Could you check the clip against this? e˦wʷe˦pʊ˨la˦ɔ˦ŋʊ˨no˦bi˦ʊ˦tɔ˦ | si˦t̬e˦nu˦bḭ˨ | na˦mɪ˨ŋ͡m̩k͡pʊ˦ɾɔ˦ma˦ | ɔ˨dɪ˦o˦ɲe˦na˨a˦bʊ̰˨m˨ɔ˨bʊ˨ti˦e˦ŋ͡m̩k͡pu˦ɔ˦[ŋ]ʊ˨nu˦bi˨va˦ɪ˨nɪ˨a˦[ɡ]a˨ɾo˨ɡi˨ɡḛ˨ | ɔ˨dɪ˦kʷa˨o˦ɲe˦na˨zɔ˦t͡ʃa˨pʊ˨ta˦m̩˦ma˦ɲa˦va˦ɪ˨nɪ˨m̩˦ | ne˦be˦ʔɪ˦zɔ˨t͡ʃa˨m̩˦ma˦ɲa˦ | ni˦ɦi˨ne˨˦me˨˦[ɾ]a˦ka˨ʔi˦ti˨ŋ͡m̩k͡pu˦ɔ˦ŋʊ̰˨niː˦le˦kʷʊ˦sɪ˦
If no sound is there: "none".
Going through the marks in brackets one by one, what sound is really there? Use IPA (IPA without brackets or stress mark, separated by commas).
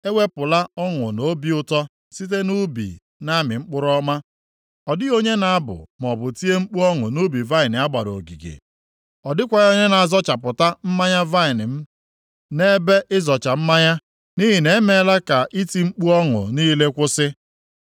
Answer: ŋ, ɡ͡b, l